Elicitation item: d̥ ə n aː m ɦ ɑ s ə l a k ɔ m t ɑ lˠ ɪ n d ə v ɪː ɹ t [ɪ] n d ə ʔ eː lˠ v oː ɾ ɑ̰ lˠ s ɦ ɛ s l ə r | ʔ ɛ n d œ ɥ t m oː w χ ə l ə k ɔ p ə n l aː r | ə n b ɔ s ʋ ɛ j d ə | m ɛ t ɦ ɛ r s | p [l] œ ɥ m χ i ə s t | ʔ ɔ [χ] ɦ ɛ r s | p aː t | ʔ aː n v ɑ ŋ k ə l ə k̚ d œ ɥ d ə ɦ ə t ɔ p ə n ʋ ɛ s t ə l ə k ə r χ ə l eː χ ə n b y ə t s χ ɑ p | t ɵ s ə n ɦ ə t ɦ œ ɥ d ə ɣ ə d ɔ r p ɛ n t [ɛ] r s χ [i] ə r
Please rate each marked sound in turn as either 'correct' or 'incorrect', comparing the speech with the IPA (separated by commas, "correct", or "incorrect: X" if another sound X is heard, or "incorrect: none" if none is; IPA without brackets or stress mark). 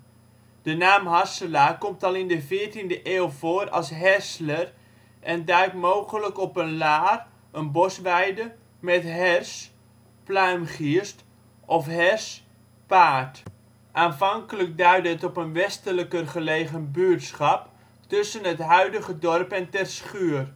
incorrect: i, correct, incorrect: f, correct, incorrect: y